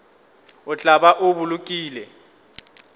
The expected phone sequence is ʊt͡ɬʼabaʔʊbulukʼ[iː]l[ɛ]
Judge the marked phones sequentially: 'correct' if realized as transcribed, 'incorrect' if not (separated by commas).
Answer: correct, correct